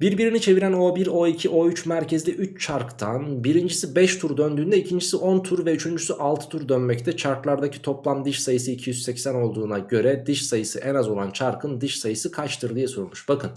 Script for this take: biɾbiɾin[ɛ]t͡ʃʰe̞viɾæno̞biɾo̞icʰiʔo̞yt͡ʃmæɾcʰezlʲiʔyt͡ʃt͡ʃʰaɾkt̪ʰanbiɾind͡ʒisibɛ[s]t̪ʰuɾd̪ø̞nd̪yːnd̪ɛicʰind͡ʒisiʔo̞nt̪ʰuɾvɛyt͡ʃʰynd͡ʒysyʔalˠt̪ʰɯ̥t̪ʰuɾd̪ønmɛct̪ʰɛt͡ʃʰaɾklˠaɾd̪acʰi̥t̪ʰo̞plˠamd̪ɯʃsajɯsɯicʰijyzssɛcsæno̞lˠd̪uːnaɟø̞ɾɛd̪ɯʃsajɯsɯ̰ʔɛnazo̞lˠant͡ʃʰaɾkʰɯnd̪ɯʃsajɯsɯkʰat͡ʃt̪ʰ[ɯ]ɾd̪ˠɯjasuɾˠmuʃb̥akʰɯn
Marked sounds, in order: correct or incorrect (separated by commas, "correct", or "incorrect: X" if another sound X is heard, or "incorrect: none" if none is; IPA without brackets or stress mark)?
incorrect: i, incorrect: ʃ, correct